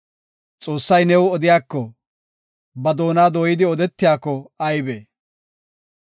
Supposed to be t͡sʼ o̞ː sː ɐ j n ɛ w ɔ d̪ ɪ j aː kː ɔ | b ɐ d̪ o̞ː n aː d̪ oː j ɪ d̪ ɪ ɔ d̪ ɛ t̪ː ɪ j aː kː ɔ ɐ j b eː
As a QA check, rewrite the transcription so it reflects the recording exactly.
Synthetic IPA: t͡sʼ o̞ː sː ɐ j n ɛ w ɔ d̪ ɪ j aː kː ɔ | b ɐ d̪ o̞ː n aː d̪ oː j ɪ d̪ ɪ ɔ d̪ ɛ t̪ː ɪ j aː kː ɔ ɐ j b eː